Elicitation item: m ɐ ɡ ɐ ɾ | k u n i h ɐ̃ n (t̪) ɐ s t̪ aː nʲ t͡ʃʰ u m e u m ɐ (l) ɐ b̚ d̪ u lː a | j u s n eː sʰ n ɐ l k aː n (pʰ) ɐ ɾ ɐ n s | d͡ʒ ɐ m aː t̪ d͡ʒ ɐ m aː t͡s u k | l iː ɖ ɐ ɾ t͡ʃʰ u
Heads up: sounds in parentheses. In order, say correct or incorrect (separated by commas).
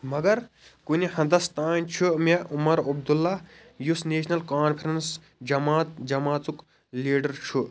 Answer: incorrect, incorrect, correct